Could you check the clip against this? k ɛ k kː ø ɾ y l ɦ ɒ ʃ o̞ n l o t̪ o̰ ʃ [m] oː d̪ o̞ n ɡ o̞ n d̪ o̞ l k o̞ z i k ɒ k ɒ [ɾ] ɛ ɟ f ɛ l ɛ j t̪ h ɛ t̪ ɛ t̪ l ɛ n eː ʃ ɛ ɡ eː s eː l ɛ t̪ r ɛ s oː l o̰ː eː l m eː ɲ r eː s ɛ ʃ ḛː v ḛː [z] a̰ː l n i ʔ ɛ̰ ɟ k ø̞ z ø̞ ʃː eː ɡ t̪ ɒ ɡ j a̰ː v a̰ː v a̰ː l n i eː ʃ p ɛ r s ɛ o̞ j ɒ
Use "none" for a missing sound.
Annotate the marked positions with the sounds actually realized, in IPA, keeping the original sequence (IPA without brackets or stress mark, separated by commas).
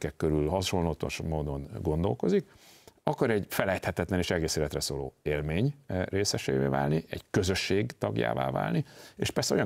m, ɾ, v